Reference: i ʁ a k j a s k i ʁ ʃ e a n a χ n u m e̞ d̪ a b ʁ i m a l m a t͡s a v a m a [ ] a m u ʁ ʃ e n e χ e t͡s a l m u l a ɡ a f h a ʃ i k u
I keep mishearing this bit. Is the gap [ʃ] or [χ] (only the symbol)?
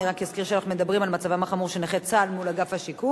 χ